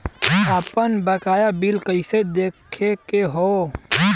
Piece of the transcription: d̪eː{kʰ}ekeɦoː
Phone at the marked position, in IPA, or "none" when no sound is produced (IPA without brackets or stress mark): kʰ